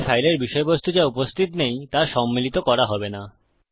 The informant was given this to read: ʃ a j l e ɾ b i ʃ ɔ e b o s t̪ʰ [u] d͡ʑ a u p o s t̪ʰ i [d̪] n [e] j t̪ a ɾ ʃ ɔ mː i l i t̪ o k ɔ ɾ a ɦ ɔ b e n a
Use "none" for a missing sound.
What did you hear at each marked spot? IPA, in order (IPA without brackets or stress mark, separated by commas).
u, t̪, e